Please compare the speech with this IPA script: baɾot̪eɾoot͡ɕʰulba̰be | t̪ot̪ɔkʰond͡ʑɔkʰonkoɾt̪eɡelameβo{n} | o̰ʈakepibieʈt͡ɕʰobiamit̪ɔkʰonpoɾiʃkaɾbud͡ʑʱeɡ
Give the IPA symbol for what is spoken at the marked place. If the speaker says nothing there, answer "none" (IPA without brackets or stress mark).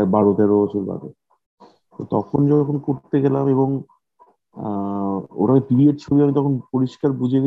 ŋ